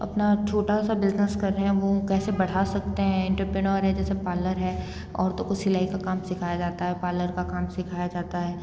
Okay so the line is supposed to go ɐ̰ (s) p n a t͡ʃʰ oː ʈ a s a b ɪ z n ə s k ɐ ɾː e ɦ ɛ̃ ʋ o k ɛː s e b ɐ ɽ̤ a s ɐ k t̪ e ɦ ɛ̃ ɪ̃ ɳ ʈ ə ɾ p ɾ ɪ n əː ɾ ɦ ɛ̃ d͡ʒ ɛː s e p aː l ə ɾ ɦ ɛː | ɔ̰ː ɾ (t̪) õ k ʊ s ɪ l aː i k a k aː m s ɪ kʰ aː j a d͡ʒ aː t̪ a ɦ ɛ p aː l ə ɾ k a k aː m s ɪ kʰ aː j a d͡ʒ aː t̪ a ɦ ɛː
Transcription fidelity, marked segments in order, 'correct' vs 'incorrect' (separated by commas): incorrect, correct